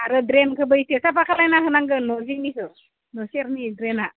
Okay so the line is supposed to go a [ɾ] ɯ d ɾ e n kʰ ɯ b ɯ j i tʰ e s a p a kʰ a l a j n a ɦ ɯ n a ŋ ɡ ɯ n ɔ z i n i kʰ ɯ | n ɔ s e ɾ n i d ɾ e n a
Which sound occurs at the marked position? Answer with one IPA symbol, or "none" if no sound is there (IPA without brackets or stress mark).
ɾ